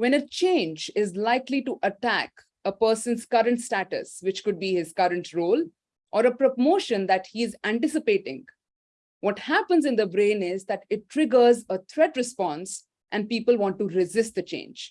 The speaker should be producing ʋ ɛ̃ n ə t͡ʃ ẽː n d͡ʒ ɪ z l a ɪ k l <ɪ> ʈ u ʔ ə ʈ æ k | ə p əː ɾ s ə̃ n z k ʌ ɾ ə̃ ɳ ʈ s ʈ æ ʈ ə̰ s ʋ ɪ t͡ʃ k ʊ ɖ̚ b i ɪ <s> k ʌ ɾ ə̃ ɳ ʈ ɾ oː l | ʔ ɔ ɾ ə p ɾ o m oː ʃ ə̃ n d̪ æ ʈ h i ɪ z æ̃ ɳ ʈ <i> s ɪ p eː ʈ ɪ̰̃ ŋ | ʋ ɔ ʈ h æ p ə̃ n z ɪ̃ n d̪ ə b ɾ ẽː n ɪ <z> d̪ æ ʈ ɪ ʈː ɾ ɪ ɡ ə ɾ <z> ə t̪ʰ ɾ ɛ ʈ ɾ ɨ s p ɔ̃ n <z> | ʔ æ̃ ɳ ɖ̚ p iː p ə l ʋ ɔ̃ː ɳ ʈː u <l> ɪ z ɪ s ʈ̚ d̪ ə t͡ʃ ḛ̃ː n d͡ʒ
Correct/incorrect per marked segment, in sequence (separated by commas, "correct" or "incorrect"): incorrect, incorrect, incorrect, correct, correct, incorrect, incorrect